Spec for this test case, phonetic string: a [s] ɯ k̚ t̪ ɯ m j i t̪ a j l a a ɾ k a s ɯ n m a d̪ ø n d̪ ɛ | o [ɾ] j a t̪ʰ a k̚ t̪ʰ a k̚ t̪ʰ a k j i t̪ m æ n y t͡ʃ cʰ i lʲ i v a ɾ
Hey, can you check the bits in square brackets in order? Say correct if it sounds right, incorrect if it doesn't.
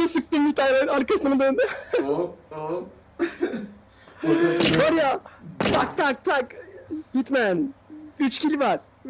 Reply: correct, correct

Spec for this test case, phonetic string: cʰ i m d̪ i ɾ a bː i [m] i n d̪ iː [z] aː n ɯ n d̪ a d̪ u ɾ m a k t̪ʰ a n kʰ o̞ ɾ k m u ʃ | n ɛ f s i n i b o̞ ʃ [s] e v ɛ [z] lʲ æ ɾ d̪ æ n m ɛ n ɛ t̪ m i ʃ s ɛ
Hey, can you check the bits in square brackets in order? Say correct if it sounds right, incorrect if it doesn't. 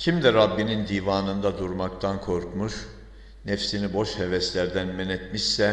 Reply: incorrect, incorrect, incorrect, incorrect

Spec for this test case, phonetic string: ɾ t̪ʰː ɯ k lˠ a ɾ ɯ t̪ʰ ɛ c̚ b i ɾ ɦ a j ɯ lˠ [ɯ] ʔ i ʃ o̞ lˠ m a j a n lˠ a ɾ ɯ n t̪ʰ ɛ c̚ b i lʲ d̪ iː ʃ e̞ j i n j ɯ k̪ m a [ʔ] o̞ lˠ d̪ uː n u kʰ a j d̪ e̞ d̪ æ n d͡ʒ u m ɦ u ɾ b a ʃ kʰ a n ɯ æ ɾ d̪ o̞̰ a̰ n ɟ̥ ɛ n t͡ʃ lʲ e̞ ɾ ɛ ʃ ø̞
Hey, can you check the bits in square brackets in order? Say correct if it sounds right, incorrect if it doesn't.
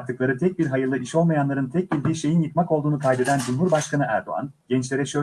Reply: correct, incorrect

